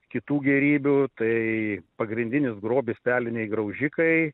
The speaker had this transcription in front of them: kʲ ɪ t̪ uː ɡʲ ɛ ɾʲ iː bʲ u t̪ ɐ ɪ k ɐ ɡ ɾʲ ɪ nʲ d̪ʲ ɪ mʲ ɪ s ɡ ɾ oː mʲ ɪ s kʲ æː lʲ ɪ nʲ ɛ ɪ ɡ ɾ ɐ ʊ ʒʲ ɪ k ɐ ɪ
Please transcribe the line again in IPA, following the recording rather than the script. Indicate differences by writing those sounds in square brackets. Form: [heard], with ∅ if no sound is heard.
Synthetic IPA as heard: kʲ ɪ t̪ uː ɡʲ ɛ ɾʲ iː bʲ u t̪ ɐ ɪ [p] ɐ ɡ ɾʲ ɪ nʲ d̪ʲ ɪ [nʲ] ɪ s ɡ ɾ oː [bʲ] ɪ s [pʲ] æː lʲ ɪ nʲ ɛ ɪ ɡ ɾ ɐ ʊ ʒʲ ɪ k ɐ ɪ